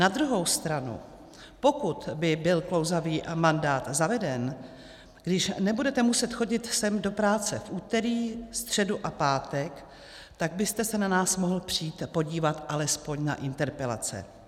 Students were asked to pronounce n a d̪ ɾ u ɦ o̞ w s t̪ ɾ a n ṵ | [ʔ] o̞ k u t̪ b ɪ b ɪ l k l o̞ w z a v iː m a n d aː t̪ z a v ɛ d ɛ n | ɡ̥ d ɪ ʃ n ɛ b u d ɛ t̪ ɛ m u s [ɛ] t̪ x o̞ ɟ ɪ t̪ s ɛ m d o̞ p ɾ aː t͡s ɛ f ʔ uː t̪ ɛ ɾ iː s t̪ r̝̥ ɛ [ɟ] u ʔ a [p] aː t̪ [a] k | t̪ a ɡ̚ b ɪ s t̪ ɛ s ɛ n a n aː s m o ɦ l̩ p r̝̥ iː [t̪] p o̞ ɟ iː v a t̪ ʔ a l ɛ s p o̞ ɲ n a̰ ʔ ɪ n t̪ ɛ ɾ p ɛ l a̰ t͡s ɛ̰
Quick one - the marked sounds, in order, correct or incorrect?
incorrect, correct, incorrect, correct, incorrect, correct

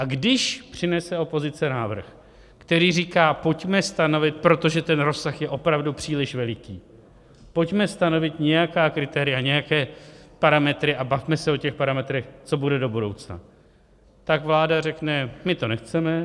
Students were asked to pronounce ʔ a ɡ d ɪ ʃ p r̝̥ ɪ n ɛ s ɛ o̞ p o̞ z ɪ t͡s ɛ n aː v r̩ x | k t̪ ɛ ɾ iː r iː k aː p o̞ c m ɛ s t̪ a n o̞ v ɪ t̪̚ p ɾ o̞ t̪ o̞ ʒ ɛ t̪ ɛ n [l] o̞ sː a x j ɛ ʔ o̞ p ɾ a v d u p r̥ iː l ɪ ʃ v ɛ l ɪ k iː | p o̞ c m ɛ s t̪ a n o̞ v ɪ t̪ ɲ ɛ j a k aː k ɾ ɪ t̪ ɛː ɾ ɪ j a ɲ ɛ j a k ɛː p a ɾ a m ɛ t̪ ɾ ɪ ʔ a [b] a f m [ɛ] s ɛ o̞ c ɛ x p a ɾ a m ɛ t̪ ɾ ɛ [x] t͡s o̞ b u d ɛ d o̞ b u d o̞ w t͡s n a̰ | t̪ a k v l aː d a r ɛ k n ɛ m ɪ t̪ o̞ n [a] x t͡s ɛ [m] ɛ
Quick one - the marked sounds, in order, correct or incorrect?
incorrect, correct, correct, correct, incorrect, correct

